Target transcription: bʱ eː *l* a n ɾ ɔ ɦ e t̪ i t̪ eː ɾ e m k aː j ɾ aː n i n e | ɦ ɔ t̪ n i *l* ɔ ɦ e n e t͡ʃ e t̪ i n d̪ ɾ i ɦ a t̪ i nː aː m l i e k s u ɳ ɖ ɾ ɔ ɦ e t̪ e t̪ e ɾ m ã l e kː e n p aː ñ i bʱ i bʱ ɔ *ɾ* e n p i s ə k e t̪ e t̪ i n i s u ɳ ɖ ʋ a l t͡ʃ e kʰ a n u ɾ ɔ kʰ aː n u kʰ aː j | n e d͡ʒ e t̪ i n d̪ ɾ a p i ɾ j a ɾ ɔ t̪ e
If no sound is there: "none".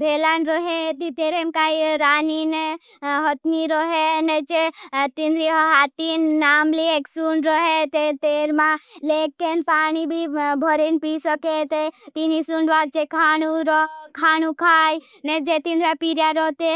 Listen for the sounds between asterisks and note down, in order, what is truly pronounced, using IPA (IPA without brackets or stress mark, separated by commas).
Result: l, ɾ, ɾ